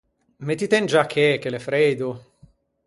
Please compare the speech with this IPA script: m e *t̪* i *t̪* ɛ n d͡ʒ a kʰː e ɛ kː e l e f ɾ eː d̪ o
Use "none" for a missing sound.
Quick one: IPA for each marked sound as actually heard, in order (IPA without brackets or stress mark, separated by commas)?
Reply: t̪, t̪